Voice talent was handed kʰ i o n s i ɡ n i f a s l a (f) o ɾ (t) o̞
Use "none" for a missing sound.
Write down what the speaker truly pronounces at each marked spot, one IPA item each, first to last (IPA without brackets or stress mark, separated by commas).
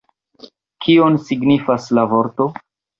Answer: v, t